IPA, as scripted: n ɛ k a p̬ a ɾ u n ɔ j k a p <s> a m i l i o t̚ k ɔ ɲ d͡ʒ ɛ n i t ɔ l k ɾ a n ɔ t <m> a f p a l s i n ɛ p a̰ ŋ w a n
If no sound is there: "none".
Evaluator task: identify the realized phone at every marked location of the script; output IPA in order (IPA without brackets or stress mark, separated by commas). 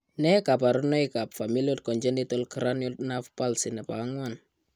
f, n